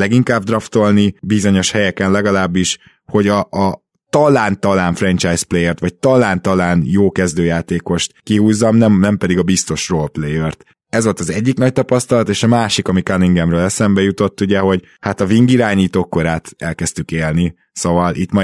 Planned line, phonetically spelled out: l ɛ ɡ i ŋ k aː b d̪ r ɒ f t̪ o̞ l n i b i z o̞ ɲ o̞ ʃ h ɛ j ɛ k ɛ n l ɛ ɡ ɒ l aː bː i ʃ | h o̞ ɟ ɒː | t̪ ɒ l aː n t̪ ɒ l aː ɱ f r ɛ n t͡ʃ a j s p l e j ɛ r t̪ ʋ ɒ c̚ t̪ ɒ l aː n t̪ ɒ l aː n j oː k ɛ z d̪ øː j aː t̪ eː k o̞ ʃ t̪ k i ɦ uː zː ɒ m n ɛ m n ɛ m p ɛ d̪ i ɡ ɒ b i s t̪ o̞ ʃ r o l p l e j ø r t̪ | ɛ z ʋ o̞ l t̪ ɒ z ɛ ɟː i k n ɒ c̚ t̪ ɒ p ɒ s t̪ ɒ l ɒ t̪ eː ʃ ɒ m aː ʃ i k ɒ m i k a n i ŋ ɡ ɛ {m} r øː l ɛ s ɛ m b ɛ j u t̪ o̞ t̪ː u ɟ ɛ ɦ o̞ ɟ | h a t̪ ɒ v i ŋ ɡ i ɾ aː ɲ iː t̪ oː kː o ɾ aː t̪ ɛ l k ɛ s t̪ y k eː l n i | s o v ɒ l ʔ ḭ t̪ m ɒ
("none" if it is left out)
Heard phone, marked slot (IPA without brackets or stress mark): m